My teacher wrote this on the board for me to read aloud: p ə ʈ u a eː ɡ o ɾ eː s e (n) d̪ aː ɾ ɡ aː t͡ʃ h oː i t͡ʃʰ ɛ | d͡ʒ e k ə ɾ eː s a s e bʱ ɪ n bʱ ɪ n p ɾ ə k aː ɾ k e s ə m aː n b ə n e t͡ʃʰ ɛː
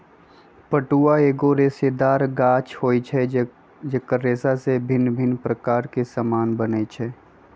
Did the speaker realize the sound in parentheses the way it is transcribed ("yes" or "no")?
no